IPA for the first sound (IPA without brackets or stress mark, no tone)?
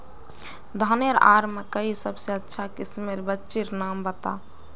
d̪ʱ